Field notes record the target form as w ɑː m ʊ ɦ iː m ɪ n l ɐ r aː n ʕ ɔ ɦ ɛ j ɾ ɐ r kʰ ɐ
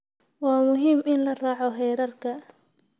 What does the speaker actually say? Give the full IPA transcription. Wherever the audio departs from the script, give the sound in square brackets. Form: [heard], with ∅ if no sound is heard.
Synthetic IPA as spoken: w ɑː m ʊ ɦ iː m ɪ n l ɐ r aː [∅] ʕ ɔ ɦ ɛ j ɾ ɐ r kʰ ɐ